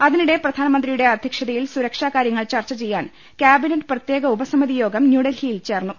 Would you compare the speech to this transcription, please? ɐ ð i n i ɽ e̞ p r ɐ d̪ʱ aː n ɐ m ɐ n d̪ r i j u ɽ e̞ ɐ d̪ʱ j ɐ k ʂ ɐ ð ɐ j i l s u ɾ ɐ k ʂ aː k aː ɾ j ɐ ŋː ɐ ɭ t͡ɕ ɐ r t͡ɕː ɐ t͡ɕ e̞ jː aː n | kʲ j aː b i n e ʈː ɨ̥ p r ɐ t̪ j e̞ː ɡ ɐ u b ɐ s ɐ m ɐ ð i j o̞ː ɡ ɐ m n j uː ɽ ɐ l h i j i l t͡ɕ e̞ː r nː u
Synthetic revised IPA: ɐ ð i n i ɽ e̞ p r ɐ d̪ʱ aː n ɐ m ɐ n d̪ r i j u ɽ e̞ ɐ d̪ʱ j ɐ k ʂ ɐ ð ɐ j i l s u ɾ ɐ k ʂ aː k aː ɾ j ɐ ŋː ɐ ɭ t͡ɕ ɐ r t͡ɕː ɐ t͡ɕ e̞ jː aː n | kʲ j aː b i n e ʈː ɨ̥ p r ɐ t̪ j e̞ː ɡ ɐ u b ɐ s ɐ m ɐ ð i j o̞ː ɡ ɐ m n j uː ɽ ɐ l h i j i l t͡ɕ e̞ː r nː u